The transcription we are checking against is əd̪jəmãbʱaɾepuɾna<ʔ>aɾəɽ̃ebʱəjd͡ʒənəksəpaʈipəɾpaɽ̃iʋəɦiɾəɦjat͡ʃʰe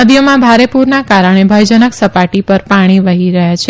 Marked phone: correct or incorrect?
incorrect